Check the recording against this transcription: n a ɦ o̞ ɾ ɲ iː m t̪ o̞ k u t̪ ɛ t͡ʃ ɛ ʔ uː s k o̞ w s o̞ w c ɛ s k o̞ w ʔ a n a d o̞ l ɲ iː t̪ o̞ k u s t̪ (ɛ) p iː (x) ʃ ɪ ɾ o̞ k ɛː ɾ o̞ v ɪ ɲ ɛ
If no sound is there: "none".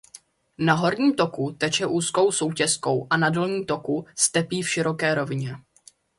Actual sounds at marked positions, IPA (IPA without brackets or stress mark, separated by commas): ɛ, f